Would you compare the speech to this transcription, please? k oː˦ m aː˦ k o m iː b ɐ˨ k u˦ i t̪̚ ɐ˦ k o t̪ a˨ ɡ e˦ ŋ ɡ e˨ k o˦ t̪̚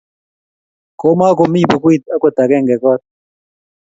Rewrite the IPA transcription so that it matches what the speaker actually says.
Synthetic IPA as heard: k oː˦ m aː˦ k o m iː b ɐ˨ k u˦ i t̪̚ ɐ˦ k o t̪ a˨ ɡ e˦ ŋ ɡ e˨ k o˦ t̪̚